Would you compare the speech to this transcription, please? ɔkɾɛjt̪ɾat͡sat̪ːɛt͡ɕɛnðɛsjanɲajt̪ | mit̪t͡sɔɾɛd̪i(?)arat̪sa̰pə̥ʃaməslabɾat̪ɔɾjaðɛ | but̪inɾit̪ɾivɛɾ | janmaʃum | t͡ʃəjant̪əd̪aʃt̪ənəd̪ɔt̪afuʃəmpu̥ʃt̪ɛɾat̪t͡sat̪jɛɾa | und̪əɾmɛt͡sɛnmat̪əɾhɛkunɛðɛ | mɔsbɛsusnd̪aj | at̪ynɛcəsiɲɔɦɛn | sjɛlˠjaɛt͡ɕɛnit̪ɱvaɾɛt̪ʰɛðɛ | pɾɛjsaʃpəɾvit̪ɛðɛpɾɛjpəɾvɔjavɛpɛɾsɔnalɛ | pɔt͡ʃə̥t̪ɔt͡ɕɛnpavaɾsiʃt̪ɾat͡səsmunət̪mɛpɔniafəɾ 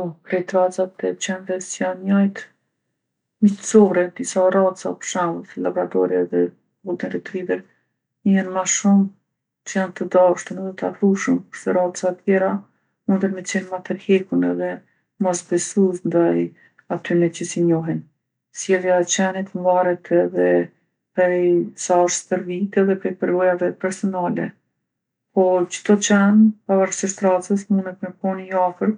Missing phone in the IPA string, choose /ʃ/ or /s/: s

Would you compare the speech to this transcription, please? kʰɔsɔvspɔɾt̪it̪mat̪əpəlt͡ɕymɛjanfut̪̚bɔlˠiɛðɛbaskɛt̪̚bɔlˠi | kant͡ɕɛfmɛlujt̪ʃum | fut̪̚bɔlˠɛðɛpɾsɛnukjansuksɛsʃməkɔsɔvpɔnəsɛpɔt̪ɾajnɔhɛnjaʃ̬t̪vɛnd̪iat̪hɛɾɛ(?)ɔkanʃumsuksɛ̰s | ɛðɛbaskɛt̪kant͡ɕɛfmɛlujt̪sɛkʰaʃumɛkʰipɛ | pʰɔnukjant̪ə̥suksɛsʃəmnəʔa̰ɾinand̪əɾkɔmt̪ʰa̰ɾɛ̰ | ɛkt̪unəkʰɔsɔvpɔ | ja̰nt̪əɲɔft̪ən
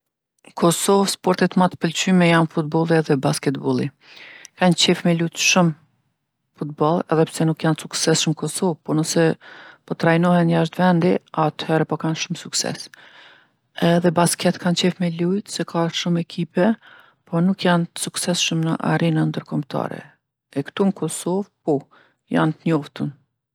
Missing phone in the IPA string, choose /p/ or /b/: p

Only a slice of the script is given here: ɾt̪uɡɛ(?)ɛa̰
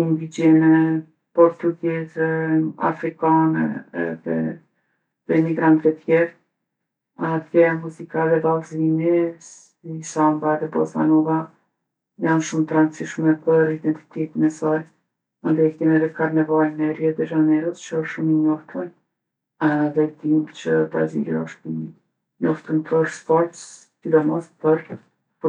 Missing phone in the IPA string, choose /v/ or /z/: z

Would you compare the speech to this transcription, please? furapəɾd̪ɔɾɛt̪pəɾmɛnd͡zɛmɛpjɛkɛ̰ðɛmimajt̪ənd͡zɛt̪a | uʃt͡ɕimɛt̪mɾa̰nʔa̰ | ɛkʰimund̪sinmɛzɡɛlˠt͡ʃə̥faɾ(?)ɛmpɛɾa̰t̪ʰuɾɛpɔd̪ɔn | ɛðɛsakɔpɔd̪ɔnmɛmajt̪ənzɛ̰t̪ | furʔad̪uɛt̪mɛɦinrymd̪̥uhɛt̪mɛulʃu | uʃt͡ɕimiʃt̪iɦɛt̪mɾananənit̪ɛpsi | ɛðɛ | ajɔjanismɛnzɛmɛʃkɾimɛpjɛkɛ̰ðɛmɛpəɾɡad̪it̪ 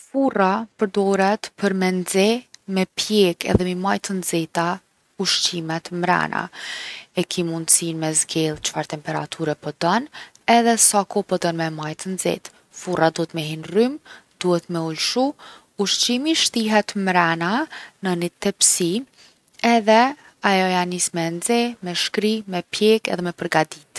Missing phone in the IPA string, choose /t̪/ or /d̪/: t̪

